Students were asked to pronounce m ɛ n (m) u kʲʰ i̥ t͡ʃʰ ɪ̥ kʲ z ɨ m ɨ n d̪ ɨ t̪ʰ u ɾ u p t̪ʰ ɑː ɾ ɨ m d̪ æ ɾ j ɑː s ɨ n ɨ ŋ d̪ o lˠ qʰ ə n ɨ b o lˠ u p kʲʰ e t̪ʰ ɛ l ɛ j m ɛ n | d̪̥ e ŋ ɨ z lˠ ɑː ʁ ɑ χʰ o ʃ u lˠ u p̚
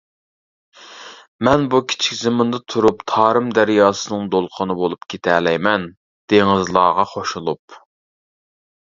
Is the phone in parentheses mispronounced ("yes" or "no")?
yes